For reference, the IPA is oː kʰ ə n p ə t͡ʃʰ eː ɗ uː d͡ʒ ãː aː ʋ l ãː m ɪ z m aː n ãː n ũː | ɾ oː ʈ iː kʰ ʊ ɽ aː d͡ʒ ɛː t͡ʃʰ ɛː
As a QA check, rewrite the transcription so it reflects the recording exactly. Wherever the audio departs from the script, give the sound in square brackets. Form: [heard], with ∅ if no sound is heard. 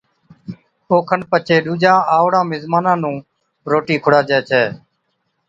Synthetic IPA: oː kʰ ə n p ə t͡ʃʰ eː ɗ uː d͡ʒ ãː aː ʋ [ɽ] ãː m ɪ z m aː n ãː n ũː | ɾ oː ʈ iː kʰ ʊ ɽ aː d͡ʒ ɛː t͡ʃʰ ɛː